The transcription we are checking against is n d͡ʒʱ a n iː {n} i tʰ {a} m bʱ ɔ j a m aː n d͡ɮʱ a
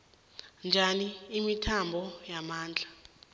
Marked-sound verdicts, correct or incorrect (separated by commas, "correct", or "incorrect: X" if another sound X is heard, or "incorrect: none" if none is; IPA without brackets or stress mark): incorrect: m, correct